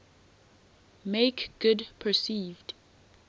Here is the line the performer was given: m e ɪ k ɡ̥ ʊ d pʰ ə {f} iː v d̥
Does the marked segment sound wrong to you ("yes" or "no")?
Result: yes